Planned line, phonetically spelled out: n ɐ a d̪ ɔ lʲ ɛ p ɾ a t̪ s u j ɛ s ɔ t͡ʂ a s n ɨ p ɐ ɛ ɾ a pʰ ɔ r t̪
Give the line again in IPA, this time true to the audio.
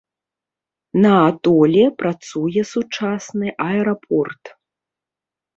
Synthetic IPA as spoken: n ɐ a t̪ ɔ lʲ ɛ p ɾ a t̪ s u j ɛ s u t͡ʂ a s n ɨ ʔ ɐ ɛ ɾ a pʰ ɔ r t̪